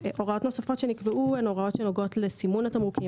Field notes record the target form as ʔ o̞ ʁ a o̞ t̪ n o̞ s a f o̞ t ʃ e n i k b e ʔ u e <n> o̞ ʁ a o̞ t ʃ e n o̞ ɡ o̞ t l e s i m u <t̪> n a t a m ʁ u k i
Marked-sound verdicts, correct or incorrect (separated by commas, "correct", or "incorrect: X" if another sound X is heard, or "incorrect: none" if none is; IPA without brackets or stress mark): correct, incorrect: none